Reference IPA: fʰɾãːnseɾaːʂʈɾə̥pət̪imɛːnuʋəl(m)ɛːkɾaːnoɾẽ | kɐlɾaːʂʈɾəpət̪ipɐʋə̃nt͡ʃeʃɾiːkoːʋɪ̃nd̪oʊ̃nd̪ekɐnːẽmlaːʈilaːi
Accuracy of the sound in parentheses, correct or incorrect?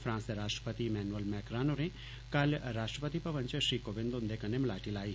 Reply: correct